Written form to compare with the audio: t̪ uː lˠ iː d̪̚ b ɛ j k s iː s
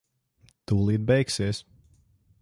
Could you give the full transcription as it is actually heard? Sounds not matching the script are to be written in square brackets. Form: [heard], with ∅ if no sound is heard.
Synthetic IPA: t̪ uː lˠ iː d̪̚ b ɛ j k s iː s

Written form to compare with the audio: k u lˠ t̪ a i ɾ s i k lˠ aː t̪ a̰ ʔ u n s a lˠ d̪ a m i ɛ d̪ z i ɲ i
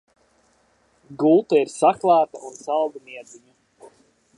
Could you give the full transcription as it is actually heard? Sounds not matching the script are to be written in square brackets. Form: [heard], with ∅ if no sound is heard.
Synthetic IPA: [ɡ] u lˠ t̪ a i ɾ s [a] k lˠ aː t̪ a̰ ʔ u n s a lˠ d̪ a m i ɛ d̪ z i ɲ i

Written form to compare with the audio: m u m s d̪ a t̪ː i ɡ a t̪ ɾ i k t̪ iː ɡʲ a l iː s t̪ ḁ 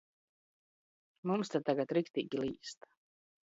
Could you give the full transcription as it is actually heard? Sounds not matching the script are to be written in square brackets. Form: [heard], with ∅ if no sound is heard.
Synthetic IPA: m u m s [t̪] a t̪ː [a] ɡ a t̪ ɾ i k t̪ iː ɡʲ [i] l iː s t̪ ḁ

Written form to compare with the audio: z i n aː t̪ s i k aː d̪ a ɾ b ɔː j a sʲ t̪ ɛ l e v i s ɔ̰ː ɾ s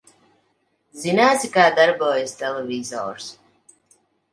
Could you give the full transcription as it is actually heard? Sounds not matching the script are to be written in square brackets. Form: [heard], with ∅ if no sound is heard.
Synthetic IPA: z i n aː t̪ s i k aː d̪ a ɾ b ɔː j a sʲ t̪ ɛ l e v i [z] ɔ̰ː ɾ s

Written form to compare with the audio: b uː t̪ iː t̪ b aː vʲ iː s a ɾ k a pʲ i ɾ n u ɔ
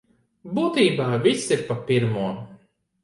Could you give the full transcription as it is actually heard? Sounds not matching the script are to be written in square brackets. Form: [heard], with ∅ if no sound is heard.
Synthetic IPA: b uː t̪ iː [∅] b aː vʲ [i] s [i] ɾ [p] a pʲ i ɾ [m] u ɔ

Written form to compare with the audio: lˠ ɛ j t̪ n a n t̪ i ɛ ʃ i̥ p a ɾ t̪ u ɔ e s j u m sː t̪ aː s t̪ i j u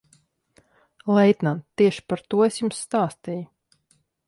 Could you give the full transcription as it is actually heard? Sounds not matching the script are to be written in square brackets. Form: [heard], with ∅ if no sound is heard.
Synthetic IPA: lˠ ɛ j t̪ n a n t̪ i ɛ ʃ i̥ p a ɾ t̪ u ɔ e s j u m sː t̪ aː s t̪ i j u

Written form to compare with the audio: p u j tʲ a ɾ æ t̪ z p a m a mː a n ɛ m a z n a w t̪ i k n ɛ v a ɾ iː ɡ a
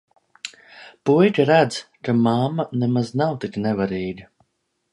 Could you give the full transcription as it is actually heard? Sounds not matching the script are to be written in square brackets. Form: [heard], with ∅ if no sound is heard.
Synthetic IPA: p u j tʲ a ɾ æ [d̪] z [k] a m a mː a n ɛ m a z n a w t̪ i k n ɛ v a ɾ iː ɡ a

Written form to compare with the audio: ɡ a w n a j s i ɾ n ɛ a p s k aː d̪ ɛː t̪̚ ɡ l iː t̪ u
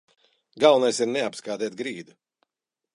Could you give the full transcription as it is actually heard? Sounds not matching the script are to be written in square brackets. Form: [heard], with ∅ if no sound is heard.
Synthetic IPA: ɡ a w n a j s i ɾ n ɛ a p s k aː d̪ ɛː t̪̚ ɡ [ɾ] iː [d̪] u

